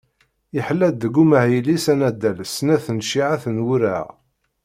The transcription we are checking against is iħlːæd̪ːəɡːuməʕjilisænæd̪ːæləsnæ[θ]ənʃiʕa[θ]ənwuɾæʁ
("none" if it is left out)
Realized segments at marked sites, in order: θ, θ

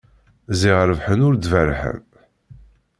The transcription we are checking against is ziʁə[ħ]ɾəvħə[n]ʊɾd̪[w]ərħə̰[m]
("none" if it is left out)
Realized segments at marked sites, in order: none, n, v, m

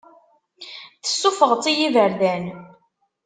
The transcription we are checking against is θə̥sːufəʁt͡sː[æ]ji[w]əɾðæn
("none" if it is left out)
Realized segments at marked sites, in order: i, v

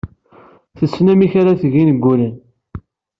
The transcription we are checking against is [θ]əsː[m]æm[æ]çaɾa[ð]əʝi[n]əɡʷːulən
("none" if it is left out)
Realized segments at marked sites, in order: θ, n, i, θ, n

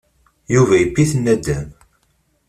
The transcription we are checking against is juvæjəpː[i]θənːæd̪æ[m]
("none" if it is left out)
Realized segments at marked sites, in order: i, m

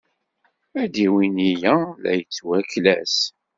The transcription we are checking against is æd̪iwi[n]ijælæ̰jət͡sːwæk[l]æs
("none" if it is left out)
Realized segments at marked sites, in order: n, l

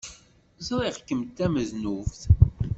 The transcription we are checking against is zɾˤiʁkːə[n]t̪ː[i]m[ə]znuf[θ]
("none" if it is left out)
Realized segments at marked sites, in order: m, æ, ə, θ

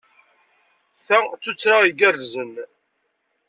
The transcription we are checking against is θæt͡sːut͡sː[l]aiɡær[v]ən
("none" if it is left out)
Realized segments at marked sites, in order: ɾ, z

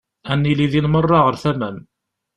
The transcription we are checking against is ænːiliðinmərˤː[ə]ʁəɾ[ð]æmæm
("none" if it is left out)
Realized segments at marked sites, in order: ɑ, θ

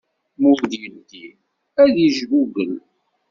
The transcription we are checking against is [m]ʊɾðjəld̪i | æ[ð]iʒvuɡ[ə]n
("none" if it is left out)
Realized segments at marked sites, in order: m, ð, ə

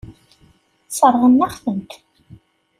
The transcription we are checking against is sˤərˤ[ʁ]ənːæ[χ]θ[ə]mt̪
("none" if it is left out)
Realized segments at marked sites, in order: ʁ, χ, ə

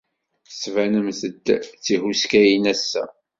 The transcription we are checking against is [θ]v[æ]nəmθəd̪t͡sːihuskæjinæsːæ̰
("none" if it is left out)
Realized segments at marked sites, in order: s, æ

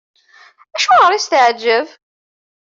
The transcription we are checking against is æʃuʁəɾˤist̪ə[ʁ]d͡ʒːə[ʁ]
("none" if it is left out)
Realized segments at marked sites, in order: ʕ, v

